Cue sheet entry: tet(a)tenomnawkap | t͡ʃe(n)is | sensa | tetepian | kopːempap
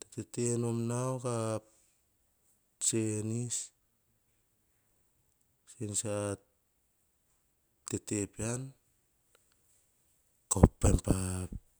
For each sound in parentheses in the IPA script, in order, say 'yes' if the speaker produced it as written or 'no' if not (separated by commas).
no, yes